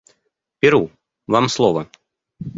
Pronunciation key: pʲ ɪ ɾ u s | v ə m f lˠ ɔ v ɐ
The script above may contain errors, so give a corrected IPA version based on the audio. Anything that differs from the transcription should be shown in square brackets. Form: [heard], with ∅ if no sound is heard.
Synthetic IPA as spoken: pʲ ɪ ɾ u [∅] | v [a] m [s] lˠ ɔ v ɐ

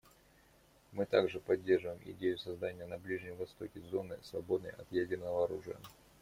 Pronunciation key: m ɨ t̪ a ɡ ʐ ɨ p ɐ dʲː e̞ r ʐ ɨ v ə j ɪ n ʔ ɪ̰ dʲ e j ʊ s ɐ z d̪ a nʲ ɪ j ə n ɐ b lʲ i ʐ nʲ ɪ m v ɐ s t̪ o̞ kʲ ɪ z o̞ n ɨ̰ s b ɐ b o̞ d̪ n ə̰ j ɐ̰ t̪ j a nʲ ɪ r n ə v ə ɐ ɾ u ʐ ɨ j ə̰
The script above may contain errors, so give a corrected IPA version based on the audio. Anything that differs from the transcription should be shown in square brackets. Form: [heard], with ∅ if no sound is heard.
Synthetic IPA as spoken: m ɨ t̪ a ɡ ʐ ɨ p ɐ dʲː e̞ r ʐ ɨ v ə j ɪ [m] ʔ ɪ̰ dʲ e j ʊ s ɐ z d̪ a nʲ ɪ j ə n ɐ b lʲ i ʐ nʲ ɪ m v ɐ s t̪ o̞ kʲ ɪ z o̞ n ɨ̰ s [v] ɐ b o̞ d̪ n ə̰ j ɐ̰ t̪ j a [dʲ] ɪ r n ə v ə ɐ ɾ u ʐ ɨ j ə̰

